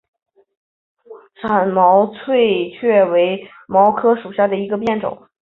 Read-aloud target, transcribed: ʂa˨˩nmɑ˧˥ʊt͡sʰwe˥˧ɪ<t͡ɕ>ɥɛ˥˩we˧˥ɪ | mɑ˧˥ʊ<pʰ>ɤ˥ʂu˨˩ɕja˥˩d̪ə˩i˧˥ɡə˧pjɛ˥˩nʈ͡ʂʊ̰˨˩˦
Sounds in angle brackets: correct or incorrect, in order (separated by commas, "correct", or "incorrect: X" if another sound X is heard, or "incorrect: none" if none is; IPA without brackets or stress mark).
incorrect: t͡ɕʰ, incorrect: kʰ